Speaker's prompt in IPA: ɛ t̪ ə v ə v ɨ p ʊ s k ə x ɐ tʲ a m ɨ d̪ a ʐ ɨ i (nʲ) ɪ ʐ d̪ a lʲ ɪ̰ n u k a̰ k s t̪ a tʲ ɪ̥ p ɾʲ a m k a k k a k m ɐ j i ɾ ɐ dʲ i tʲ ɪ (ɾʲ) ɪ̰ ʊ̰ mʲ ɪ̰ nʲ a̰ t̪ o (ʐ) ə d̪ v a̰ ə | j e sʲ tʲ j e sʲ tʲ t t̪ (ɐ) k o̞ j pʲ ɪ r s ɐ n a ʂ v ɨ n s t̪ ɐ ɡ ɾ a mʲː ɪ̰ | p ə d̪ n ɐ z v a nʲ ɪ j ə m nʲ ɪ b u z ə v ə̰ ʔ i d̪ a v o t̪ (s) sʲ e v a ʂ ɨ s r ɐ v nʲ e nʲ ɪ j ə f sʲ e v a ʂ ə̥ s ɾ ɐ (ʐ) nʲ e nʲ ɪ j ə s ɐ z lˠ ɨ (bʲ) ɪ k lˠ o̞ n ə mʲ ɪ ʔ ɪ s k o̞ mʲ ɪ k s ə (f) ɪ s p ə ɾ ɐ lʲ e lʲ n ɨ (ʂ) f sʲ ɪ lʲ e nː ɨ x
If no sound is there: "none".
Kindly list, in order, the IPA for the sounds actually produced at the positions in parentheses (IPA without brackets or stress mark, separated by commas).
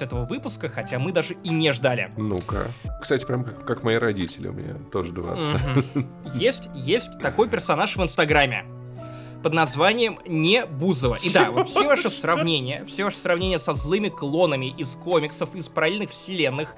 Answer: nʲ, lʲ, ʐ, ɐ, f, v, mʲ, f, x